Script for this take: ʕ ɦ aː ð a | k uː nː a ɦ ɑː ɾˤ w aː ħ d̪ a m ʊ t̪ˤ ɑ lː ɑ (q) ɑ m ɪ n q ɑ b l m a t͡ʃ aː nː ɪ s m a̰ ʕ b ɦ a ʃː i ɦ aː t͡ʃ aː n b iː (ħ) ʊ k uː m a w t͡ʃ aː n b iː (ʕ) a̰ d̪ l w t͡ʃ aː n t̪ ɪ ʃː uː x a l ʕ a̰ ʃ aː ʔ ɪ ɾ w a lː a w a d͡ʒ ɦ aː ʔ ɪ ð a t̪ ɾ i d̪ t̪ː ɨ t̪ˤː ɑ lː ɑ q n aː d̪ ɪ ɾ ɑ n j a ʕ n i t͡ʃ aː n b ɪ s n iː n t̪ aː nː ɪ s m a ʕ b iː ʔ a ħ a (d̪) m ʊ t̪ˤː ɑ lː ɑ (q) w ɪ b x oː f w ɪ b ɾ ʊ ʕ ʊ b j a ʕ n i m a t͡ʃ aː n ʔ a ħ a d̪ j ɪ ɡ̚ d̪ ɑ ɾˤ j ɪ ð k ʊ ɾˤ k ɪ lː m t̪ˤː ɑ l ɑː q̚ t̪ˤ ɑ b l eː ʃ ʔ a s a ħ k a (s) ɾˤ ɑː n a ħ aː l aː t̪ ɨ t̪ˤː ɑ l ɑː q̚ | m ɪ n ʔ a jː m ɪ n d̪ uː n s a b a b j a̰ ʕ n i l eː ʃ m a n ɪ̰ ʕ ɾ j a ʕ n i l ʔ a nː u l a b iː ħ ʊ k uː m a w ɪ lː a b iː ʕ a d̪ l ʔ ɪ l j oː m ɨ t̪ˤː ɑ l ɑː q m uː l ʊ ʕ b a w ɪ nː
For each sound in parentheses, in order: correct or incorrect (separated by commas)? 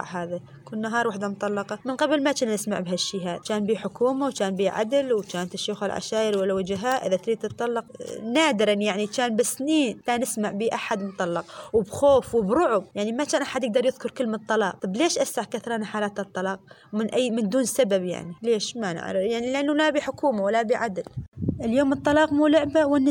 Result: correct, correct, correct, correct, correct, incorrect